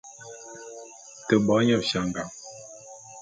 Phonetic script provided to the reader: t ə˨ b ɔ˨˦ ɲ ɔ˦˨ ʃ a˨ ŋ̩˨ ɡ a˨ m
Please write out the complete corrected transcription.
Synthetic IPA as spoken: t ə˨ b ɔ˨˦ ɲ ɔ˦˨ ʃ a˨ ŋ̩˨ ɡ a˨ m

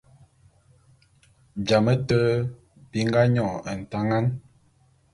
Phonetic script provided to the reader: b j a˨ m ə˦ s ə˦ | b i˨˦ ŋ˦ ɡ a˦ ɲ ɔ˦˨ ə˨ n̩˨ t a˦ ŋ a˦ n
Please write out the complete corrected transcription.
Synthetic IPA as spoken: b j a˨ m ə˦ t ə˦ | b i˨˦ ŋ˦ ɡ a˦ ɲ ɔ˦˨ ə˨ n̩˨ t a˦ ŋ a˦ n

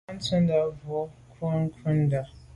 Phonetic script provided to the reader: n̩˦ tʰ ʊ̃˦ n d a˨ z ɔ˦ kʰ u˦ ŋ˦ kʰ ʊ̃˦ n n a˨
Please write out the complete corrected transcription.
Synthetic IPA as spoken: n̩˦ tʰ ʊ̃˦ n d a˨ v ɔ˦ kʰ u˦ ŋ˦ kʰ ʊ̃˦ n d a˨

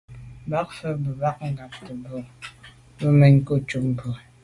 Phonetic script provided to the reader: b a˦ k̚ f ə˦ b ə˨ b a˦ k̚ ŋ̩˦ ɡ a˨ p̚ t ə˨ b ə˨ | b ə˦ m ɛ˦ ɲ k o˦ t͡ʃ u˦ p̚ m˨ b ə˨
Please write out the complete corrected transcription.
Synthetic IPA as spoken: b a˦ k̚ f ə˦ b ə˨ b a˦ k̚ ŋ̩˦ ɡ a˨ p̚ t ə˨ b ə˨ | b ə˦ m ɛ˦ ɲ k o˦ t͡ʃ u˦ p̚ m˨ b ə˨

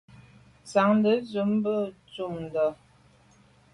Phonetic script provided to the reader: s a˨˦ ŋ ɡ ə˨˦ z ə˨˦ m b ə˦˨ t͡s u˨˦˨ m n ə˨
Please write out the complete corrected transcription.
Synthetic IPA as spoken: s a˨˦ ŋ d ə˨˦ z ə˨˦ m b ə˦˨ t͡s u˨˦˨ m d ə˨

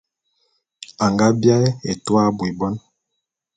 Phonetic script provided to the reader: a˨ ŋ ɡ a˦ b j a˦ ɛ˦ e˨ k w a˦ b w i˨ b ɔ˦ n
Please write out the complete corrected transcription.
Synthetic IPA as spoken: a˨ ŋ ɡ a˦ b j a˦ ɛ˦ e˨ t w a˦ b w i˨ b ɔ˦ n

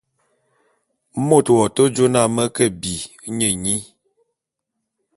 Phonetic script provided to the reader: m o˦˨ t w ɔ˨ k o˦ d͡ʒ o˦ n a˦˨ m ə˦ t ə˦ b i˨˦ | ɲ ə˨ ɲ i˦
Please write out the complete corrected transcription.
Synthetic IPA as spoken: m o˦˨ t w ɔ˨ t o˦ d͡ʒ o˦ n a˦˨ m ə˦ k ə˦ b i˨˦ | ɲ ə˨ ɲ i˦

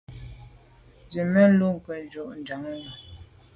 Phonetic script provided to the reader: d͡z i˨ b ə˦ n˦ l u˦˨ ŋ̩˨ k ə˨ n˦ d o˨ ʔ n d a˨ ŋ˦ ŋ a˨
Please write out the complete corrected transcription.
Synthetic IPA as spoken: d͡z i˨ m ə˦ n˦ l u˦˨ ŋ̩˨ k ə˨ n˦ d͡ʒ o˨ ʔ n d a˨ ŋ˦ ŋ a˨

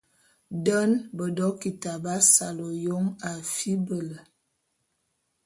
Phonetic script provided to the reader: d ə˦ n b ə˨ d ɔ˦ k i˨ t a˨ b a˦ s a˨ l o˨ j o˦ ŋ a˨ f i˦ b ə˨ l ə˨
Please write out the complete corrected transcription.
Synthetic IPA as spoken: d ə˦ n b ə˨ d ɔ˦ k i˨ t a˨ b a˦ s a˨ l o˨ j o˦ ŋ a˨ f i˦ b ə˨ l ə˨

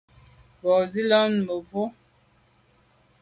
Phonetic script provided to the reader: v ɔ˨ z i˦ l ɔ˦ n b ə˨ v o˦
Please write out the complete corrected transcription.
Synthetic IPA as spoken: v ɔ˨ z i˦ l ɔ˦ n m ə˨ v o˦

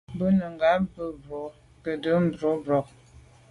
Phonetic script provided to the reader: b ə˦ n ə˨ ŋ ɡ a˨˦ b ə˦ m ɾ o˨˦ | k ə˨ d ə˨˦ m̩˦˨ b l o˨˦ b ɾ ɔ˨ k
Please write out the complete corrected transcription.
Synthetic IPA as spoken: b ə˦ n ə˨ ŋ ɡ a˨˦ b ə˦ b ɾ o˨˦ | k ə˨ d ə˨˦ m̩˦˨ b ɾ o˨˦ b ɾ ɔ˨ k

